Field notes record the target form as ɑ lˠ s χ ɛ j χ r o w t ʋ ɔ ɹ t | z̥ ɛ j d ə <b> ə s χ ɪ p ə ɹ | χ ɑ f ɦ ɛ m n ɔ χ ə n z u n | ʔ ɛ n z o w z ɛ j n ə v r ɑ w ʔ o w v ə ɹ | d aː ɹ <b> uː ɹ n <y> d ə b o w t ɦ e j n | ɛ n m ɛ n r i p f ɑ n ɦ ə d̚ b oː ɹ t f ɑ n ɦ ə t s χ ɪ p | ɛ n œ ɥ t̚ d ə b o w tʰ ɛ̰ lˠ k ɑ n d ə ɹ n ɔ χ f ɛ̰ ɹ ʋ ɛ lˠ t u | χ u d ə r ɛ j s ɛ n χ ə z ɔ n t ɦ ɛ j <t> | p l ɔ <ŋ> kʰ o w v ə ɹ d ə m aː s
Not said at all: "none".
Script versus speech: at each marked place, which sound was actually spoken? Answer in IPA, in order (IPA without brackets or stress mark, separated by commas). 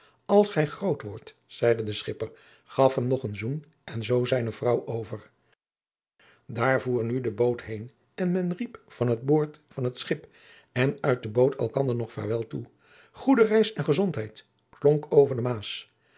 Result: d, v, y, t, ŋ